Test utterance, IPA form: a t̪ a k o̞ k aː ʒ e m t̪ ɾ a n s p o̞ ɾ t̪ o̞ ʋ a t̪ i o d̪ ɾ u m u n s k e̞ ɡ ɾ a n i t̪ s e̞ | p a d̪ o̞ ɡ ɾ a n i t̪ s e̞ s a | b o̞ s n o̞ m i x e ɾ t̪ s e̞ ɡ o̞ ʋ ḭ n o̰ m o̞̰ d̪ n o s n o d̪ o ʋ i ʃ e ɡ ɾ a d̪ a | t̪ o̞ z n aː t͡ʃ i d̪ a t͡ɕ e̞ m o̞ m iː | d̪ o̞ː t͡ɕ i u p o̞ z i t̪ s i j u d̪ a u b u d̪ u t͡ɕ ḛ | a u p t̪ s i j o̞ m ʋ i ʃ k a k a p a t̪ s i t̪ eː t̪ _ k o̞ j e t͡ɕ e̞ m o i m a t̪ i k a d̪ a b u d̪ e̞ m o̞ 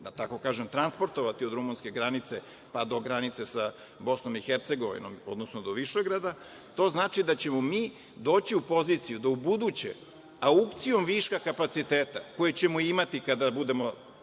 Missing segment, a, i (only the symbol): a